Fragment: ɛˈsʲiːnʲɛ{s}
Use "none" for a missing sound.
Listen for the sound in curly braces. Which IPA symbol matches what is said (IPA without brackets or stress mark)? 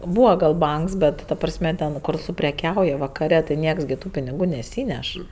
ʃ